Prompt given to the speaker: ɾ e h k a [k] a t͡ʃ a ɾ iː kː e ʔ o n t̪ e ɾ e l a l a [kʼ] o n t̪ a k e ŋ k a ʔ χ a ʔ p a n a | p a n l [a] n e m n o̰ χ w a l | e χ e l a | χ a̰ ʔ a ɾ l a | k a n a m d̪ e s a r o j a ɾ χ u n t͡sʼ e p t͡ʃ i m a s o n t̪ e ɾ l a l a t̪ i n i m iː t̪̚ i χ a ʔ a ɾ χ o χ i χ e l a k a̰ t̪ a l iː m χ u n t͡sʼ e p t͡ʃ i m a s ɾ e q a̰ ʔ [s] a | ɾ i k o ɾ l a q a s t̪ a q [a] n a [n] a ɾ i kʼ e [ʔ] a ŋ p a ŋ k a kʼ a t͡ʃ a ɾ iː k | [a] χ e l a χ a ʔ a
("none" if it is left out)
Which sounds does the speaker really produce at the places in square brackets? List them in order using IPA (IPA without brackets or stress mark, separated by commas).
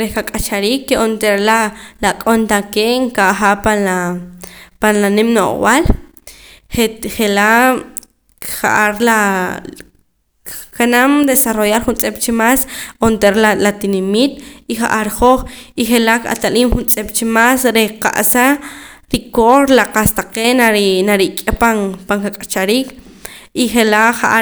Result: kʼ, kʼ, a, s, e, n, p, i